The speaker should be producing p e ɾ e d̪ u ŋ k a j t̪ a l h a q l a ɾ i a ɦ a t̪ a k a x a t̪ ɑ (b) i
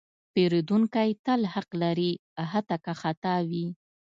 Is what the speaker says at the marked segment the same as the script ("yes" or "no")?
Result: no